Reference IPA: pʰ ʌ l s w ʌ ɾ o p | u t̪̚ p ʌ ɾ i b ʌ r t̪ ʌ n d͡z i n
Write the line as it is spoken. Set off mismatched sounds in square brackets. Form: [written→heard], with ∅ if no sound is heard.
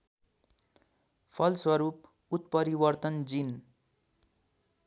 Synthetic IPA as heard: pʰ ʌ l s w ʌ ɾ [o→u] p | u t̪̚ p ʌ ɾ i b ʌ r t̪ ʌ n d͡z i n